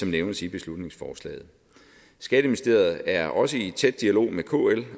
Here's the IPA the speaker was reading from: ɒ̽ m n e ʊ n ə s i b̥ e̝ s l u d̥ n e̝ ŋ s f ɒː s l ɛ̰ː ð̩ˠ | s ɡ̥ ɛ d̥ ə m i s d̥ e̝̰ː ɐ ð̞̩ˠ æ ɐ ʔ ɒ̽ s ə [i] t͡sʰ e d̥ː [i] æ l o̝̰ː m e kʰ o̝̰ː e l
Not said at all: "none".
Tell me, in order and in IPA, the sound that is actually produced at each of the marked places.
i, i

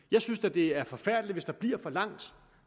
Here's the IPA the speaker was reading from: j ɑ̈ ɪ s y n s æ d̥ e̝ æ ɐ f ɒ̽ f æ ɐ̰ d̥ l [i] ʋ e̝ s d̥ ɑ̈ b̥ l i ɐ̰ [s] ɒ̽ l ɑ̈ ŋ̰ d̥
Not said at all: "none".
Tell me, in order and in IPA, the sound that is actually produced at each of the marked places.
i, f

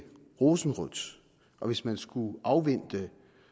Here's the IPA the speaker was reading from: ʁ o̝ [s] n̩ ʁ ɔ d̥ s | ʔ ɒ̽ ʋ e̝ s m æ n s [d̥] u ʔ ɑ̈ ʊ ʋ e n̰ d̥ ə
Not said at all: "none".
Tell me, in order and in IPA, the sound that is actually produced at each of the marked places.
s, ɡ̥

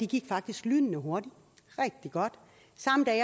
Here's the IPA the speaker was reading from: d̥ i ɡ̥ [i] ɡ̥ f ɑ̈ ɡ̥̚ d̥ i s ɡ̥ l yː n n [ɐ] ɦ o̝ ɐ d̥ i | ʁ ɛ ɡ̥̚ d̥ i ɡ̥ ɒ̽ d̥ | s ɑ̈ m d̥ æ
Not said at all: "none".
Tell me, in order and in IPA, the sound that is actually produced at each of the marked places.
i, ə

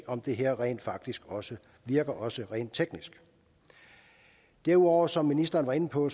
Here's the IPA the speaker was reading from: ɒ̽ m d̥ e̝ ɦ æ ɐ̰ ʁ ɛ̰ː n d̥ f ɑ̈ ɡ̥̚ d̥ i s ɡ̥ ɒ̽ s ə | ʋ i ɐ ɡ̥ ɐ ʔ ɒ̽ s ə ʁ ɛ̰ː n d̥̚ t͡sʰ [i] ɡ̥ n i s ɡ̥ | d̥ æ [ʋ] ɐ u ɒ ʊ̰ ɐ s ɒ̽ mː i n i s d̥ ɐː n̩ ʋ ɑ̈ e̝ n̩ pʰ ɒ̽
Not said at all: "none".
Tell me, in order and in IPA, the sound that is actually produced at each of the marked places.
e, none

